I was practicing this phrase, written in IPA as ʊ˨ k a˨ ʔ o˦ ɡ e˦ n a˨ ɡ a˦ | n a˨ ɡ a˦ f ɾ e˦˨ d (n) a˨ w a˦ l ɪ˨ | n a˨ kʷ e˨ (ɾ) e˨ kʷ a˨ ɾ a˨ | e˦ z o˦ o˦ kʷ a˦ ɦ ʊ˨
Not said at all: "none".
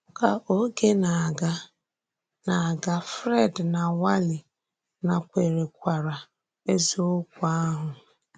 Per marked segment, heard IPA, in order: n, ɾ

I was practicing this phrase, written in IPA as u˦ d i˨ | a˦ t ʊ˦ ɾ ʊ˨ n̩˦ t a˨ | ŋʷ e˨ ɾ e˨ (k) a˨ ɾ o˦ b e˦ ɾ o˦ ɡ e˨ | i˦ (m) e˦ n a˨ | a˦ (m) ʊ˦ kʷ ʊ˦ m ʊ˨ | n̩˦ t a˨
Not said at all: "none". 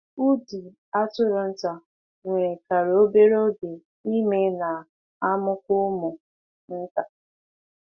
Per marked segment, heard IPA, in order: k, m, m

